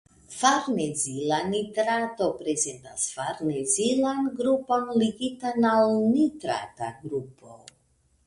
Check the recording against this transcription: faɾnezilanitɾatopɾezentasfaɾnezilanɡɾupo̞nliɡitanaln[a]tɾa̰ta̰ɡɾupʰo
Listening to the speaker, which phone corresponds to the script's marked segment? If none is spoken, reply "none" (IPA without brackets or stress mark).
i